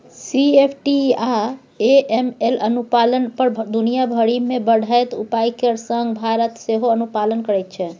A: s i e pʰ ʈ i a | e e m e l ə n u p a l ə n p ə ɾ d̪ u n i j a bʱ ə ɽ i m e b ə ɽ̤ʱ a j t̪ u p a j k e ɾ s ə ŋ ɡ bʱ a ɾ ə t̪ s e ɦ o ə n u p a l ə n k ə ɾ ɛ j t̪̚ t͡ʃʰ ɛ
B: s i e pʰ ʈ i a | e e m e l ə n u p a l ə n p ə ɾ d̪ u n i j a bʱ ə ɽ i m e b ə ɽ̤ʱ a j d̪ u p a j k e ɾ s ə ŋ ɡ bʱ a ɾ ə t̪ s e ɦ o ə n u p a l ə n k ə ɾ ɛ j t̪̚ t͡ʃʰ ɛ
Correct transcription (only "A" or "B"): A